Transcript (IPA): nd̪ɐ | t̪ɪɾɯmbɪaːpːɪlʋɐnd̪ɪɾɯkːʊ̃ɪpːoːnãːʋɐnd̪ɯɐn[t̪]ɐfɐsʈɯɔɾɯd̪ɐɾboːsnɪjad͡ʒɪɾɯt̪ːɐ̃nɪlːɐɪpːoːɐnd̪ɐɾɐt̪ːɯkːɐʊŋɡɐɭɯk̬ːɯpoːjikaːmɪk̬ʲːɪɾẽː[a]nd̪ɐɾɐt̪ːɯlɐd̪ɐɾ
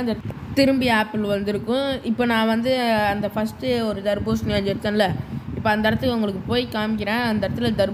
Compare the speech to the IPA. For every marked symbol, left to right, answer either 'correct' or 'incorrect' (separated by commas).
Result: incorrect, incorrect